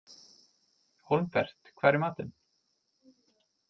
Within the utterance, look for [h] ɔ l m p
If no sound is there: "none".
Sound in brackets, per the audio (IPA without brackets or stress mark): h